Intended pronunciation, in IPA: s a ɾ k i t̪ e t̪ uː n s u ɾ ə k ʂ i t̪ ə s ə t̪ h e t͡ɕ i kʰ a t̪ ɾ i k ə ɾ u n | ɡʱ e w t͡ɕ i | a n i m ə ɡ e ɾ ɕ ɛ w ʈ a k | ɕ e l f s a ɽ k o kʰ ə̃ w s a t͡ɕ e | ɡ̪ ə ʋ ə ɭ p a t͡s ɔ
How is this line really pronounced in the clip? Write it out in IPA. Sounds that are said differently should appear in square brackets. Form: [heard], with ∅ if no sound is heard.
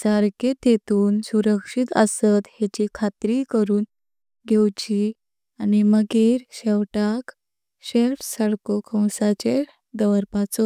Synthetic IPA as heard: s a ɾ k [e] t̪ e t̪ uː n s u ɾ ə k ʂ i t̪ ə s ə t̪ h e t͡ɕ i kʰ a t̪ ɾ i k ə ɾ [uː] n | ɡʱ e w t͡ɕ i | a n i m ə ɡ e ɾ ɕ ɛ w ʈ a k | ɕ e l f s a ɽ k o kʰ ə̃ w s a t͡ɕ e | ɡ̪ ə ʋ ə [ɾ] p a t͡s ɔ